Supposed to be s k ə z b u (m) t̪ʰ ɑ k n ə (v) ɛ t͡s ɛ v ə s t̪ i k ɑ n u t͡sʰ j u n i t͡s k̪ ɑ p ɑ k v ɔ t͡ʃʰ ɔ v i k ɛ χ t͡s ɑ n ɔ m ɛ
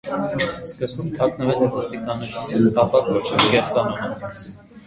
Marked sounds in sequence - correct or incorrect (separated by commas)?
correct, correct